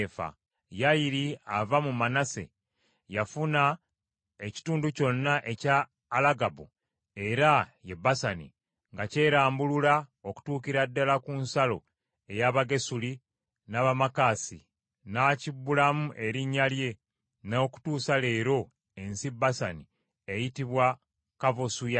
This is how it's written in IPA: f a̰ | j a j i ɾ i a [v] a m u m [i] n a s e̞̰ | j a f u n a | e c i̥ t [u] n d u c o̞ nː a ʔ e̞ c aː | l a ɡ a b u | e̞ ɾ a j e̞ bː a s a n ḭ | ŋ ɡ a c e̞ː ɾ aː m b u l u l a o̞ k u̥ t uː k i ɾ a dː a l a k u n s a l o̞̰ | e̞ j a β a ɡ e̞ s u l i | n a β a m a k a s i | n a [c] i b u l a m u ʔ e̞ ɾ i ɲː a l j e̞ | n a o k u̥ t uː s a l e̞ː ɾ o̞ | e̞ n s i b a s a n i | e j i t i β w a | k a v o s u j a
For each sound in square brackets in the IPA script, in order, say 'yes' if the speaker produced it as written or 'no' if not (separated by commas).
yes, no, no, yes